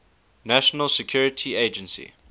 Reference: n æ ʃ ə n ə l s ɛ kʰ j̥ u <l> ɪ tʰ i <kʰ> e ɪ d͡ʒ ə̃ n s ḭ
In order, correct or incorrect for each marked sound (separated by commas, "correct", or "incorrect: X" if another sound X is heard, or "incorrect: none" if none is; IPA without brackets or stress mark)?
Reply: incorrect: ɹ, incorrect: none